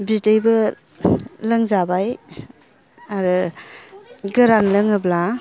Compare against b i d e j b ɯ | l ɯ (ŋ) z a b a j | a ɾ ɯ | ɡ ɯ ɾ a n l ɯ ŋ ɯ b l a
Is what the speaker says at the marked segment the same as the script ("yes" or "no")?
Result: yes